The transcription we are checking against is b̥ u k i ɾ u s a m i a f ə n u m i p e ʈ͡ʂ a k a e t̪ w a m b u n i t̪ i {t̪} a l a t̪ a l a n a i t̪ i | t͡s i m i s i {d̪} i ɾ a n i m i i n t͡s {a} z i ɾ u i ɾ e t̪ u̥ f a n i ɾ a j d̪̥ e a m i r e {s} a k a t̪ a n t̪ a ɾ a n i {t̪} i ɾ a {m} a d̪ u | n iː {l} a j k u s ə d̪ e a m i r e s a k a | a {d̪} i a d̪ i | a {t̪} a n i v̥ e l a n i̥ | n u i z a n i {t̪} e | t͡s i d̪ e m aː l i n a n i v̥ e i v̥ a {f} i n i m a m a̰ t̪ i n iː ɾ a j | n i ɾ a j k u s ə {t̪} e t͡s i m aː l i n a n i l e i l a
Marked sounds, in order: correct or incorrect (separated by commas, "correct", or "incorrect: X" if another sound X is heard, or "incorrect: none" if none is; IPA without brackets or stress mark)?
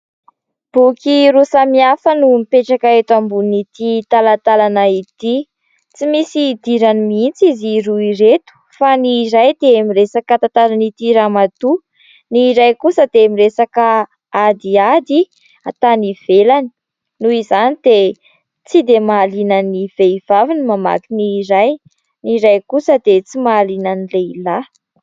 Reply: correct, correct, incorrect: i, correct, correct, correct, incorrect: ɾ, correct, correct, incorrect: d̪, incorrect: v, incorrect: d̪